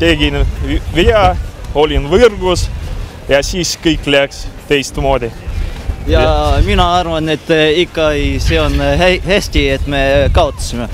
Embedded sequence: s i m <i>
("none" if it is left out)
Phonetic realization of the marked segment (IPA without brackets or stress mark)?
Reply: e